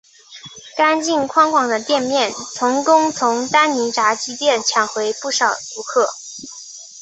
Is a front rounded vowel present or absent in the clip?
absent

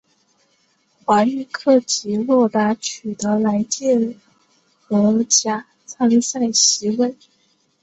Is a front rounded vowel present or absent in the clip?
present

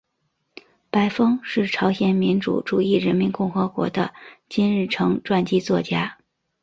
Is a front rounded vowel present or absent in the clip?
absent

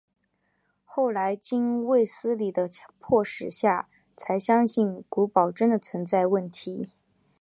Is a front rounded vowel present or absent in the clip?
absent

